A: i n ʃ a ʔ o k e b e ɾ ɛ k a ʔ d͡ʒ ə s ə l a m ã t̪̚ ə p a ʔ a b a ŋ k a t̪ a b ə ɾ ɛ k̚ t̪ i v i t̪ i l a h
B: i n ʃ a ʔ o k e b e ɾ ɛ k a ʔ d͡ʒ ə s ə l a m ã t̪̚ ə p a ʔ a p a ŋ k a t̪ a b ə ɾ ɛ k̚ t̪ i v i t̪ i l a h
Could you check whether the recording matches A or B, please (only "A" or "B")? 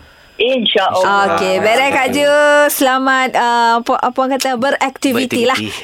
B